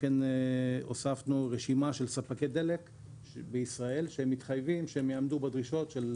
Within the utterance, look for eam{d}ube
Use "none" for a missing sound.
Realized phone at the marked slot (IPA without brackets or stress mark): d